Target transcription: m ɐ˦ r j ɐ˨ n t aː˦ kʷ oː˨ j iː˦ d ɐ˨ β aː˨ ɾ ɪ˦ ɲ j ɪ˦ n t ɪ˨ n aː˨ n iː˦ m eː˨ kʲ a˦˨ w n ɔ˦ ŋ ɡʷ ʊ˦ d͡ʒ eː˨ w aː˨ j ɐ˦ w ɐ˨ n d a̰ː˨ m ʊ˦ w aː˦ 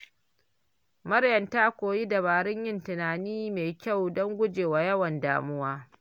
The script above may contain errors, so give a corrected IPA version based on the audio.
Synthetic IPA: m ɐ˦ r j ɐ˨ n t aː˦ kʷ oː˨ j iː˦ d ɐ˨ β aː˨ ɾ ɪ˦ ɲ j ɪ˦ n t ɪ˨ n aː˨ n iː˦ m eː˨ kʲ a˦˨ w d ɔ˦ ŋ ɡʷ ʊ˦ d͡ʒ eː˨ w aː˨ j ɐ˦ w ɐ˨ n d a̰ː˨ m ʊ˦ w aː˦